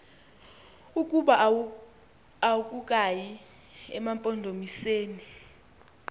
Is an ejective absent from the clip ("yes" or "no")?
no